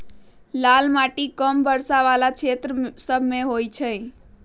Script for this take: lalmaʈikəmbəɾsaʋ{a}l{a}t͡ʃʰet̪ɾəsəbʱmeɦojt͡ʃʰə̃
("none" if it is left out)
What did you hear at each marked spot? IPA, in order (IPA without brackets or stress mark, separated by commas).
a, a